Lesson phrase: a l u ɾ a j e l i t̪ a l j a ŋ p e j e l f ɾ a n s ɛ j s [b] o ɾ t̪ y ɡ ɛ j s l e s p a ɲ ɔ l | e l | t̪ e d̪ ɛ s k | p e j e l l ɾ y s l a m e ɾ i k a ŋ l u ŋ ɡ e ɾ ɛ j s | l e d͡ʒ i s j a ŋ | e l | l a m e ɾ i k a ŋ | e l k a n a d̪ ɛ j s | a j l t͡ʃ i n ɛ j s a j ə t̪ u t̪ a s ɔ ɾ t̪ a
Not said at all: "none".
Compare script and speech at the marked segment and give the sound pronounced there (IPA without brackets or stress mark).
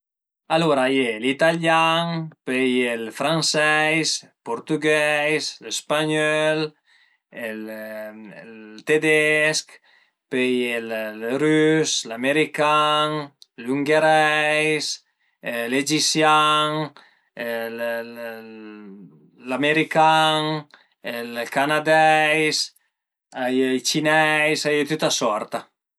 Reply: p